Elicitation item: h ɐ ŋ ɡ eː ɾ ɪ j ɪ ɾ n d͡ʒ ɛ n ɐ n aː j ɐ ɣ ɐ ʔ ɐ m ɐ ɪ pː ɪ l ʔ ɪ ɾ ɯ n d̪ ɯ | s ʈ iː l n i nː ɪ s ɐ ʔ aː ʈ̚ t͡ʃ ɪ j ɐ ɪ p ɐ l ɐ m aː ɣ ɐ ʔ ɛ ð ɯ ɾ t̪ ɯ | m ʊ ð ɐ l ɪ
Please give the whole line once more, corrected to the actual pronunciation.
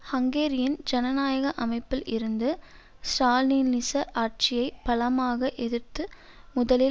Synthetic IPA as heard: h ɐ ŋ ɡ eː ɾ ɪ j ɪ n d͡ʒ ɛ n ɐ n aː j ɐ ɣ ɐ ʔ ɐ m ɐ ɪ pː ɪ l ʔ ɪ ɾ ɯ n d̪ ɯ | s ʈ aː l n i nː ɪ s ɐ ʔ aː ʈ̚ t͡ʃ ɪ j ɐ ɪ p ɐ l ɐ m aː ɣ ɐ ʔ ɛ ð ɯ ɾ t̪ ɯ | m ʊ ð ɐ l ɪ